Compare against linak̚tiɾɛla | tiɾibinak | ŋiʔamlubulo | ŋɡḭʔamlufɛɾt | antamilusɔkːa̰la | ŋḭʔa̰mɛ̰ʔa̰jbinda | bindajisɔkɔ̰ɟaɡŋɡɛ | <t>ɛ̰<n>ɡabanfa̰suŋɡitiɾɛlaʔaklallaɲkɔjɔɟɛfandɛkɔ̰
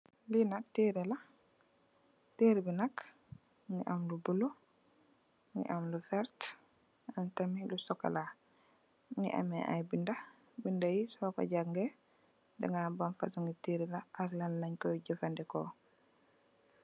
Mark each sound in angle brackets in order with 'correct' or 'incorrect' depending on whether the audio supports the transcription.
incorrect, incorrect

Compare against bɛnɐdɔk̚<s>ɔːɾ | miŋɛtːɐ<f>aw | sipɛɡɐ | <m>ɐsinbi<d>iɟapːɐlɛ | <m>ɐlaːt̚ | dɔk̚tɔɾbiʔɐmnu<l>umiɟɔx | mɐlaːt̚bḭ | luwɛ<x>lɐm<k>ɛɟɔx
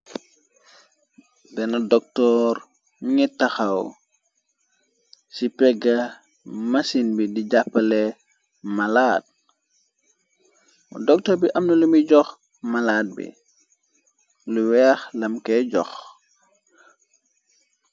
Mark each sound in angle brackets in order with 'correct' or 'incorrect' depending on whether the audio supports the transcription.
incorrect, incorrect, correct, correct, correct, correct, correct, correct

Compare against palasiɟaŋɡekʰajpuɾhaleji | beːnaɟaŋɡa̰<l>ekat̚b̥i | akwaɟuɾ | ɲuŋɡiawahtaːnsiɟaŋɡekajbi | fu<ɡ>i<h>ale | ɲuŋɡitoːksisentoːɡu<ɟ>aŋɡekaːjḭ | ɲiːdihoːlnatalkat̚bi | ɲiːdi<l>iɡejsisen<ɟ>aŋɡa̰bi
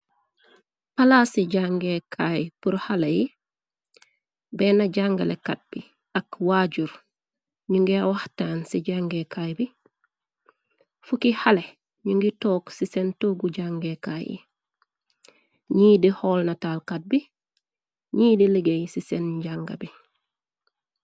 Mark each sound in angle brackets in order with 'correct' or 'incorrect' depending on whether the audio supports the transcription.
correct, incorrect, correct, correct, correct, correct

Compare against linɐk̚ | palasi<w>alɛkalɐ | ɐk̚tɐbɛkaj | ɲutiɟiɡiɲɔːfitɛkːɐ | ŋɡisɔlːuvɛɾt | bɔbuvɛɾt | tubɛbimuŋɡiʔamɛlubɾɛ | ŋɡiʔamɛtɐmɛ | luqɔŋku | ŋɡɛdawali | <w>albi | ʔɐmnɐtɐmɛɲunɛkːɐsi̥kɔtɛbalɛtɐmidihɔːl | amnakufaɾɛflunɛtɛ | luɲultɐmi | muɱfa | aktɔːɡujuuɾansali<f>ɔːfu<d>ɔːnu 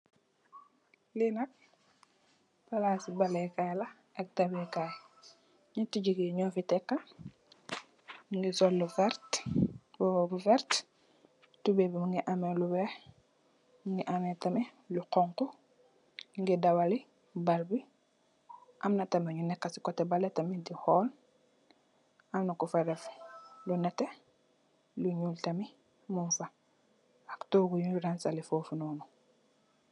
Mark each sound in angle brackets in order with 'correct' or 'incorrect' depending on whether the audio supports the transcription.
incorrect, incorrect, correct, incorrect

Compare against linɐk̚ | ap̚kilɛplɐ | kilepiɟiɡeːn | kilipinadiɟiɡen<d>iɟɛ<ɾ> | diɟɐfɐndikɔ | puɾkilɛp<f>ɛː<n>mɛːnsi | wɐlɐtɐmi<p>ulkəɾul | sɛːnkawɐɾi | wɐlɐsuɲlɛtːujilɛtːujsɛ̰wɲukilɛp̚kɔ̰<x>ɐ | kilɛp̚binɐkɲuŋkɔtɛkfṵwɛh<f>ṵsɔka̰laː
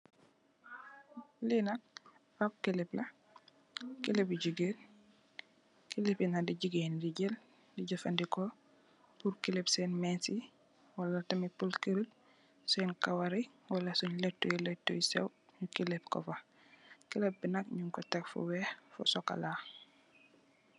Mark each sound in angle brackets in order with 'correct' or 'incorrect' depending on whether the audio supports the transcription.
correct, incorrect, incorrect, correct, correct, incorrect, correct

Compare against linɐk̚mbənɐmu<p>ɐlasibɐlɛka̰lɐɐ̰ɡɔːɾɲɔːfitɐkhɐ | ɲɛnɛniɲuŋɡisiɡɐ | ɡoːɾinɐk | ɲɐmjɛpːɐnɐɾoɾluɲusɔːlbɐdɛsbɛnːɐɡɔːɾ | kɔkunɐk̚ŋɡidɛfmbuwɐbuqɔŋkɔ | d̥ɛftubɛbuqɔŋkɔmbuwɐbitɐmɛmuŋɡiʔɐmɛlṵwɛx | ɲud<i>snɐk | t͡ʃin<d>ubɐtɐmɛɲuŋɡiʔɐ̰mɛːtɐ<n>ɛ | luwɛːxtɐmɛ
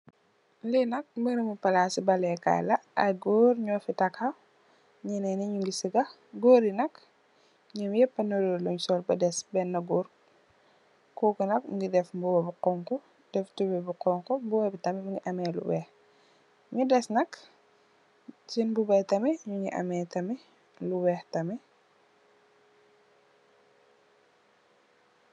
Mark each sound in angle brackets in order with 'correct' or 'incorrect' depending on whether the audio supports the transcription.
correct, incorrect, incorrect, incorrect

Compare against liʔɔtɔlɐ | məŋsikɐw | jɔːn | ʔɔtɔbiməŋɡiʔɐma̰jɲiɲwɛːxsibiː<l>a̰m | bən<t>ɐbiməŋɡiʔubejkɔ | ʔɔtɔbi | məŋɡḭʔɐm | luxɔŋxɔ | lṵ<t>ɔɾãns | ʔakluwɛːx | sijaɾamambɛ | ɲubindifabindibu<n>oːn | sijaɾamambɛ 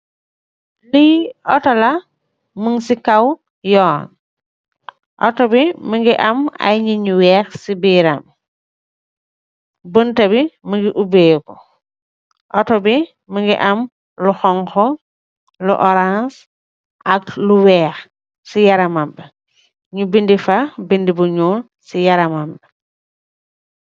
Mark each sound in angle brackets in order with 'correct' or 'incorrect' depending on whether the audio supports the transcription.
incorrect, correct, incorrect, incorrect

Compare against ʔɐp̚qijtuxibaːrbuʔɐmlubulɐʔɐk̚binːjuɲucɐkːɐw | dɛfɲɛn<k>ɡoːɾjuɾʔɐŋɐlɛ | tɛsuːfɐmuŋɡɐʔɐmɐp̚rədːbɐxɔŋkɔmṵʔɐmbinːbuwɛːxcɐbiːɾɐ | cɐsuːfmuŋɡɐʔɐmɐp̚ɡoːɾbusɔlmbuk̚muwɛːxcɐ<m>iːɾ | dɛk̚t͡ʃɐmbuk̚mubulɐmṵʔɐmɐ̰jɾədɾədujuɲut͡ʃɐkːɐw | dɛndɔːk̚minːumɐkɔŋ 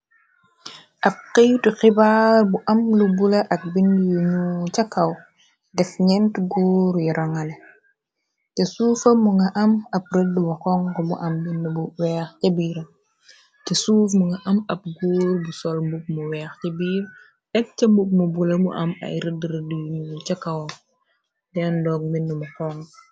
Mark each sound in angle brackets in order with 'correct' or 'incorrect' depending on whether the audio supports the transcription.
incorrect, incorrect

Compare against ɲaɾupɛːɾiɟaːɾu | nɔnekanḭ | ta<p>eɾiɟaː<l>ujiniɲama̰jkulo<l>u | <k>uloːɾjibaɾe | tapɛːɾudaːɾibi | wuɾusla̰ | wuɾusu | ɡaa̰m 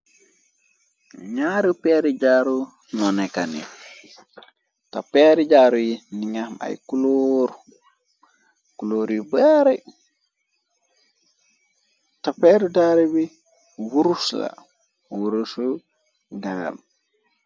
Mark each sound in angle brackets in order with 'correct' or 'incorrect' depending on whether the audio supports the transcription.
correct, incorrect, incorrect, correct

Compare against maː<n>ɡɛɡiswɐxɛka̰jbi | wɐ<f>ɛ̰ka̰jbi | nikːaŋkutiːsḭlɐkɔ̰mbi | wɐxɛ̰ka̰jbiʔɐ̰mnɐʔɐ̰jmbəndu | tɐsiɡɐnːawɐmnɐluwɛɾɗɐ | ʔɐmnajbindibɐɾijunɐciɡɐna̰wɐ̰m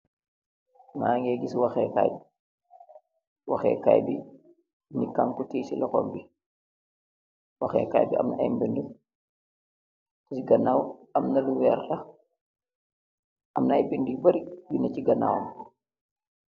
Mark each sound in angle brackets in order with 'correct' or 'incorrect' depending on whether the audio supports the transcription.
incorrect, incorrect

